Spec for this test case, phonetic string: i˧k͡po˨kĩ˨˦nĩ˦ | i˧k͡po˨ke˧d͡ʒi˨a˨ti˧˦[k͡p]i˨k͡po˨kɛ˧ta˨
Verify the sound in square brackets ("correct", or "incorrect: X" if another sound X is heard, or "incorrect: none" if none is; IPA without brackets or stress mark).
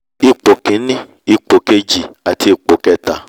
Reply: incorrect: none